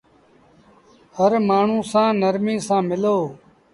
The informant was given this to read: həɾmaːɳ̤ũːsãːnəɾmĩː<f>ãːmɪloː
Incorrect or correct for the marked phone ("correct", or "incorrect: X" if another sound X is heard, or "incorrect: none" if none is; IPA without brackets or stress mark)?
incorrect: s